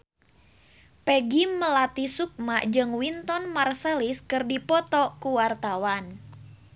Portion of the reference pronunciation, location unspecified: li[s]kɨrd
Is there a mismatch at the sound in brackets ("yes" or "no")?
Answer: no